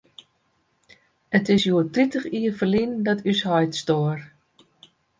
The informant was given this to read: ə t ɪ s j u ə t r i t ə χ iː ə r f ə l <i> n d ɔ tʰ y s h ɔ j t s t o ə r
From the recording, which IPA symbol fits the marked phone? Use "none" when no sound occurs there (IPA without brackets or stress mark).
i